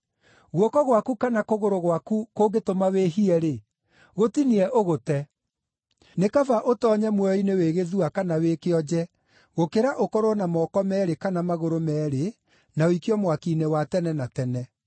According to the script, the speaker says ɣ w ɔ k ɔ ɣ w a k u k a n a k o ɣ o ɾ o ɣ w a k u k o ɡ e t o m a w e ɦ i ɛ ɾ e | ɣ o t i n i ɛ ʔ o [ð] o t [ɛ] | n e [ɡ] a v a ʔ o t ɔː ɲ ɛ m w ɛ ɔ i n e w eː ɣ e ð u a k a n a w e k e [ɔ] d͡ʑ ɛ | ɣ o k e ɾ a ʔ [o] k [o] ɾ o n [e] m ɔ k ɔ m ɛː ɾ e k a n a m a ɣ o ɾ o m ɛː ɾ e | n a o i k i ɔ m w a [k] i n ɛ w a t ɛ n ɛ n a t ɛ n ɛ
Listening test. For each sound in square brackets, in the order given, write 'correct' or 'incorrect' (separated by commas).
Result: incorrect, correct, incorrect, correct, correct, incorrect, incorrect, correct